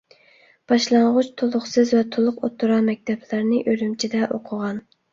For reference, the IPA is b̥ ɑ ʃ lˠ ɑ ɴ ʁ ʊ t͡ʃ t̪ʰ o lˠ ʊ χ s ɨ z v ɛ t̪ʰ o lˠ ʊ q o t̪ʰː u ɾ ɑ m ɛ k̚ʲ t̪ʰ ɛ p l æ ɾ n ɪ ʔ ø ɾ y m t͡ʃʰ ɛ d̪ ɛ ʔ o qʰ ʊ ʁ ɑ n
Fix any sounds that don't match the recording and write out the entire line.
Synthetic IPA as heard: b̥ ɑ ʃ lˠ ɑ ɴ ʁ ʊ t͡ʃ t̪ʰ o lˠ ʊ χ s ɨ z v ɛ t̪ʰ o lˠ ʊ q o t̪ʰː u ɾ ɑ m ɛ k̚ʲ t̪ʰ ɛ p l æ ɾ n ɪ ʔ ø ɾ y m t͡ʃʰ i d̪ ɛ ʔ o qʰ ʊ ʁ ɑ n